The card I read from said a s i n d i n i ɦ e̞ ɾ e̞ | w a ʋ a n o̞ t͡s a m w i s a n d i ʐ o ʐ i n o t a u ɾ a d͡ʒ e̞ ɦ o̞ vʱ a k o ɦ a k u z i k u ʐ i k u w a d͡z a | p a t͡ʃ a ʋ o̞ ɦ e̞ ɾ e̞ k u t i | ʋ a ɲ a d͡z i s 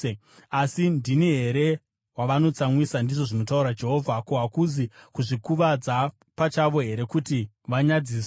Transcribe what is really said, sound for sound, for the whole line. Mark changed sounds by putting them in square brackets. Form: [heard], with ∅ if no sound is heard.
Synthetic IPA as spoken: a s i n d i n i ɦ e̞ ɾ e̞ | w a ʋ a n o̞ t͡s a m w i s a n d i ʐ o ʐ i n o t a u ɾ a d͡ʒ e̞ ɦ o̞ vʱ a k o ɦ a k u z i k u ʐ i k u [ʋ] a d͡z a | p a t͡ʃ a ʋ o̞ ɦ e̞ ɾ e̞ k u t i | ʋ a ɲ a d͡z i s